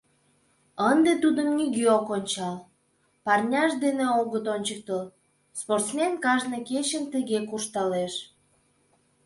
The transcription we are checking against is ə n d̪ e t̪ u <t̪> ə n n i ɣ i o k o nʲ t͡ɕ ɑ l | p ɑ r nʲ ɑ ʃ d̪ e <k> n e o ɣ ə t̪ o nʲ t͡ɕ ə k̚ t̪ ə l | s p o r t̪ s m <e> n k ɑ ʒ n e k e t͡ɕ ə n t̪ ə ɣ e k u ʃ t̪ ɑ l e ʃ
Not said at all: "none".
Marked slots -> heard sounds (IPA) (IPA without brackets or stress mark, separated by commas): d̪, none, e